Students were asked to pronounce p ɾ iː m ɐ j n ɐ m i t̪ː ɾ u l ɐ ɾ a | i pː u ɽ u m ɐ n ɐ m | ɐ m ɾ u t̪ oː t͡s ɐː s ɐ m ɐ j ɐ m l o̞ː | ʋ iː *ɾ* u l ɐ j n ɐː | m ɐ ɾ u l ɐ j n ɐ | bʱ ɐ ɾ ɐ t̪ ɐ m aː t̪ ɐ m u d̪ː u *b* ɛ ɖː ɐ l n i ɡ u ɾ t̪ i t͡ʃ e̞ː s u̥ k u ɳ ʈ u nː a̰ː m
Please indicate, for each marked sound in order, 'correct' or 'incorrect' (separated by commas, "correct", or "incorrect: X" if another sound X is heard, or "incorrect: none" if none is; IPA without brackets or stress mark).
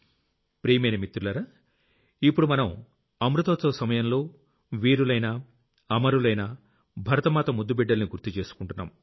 correct, correct